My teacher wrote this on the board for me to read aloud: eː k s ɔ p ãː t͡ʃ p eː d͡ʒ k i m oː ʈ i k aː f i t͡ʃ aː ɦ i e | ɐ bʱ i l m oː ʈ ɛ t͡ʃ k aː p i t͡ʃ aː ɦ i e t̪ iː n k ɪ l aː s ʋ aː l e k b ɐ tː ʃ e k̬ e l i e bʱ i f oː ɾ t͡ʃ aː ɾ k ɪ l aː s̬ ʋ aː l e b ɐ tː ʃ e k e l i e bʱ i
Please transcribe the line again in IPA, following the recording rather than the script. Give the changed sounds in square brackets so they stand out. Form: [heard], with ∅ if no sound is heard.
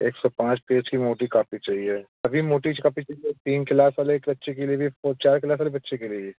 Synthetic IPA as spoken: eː k s ɔ p ãː t͡ʃ p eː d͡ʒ k i m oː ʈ i k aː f i t͡ʃ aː ɦ i e | ɐ bʱ i [∅] m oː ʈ [i] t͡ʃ k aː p i t͡ʃ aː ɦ i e t̪ iː n k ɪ l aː s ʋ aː l e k b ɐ tː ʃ e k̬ e l i e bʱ i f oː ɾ t͡ʃ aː ɾ k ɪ l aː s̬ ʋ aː l e b ɐ tː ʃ e k e l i e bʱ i